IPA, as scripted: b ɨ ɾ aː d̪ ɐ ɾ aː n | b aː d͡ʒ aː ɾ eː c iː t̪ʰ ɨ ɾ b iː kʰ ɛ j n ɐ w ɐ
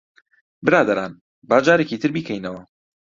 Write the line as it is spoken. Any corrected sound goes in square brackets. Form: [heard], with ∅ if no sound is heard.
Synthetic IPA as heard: b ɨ ɾ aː d̪ ɐ ɾ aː n | b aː d͡ʒ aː ɾ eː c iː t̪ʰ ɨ ɾ b iː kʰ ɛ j n ɐ w ɐ